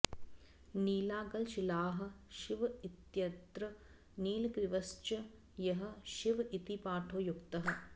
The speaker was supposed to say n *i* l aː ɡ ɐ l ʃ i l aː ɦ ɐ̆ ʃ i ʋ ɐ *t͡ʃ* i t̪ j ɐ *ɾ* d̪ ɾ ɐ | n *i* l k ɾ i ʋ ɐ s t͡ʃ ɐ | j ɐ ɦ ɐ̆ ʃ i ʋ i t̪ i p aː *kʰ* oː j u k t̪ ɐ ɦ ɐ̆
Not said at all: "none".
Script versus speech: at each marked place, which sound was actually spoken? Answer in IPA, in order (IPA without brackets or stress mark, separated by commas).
iː, none, none, iː, ʈʰ